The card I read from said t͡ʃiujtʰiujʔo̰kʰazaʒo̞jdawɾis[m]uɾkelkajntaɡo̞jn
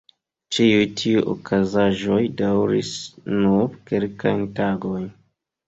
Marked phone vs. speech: incorrect: n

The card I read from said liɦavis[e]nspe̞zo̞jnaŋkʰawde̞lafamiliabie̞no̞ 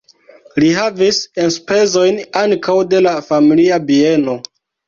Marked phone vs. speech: correct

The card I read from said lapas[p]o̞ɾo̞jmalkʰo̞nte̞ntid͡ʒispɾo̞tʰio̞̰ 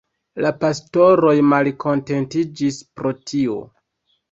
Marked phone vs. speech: incorrect: t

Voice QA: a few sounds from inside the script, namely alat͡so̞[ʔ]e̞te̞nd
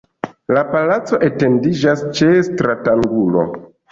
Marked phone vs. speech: correct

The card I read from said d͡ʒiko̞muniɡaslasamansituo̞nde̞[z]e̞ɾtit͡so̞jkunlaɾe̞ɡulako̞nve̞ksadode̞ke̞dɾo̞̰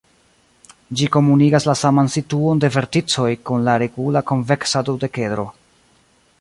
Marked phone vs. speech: incorrect: v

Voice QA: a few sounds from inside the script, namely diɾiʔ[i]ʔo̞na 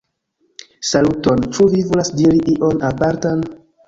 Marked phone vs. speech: correct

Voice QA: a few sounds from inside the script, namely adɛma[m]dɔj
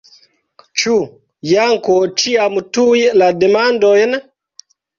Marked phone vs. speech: incorrect: n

